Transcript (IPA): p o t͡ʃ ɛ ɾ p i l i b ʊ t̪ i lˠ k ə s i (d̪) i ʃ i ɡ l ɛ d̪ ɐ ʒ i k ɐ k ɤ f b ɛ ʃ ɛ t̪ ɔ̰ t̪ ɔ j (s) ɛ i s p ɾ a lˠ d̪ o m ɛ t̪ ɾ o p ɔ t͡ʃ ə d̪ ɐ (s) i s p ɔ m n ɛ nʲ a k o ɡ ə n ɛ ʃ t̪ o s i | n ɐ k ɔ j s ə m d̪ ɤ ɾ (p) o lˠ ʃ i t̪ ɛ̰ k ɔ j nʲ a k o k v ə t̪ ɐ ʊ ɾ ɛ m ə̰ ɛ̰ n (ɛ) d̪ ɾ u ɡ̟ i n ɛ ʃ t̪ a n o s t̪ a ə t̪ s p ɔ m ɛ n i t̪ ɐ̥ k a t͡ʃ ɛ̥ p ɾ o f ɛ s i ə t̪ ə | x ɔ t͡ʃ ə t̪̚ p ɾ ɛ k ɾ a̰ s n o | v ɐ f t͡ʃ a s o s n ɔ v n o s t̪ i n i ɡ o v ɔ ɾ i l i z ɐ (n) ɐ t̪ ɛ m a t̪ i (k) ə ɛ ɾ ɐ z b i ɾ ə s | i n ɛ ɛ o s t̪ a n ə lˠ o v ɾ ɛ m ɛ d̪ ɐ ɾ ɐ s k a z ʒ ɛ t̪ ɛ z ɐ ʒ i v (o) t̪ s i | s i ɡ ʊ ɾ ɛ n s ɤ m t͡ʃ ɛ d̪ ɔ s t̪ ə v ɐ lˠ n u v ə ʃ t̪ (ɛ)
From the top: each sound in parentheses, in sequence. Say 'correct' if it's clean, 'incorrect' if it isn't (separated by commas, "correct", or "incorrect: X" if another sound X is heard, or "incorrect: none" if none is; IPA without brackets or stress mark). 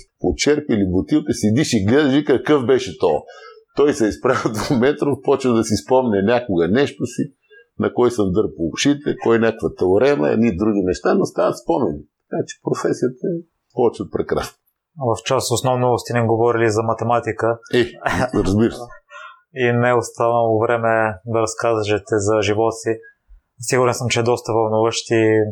correct, correct, correct, correct, incorrect: i, incorrect: m, correct, incorrect: ɔ, incorrect: i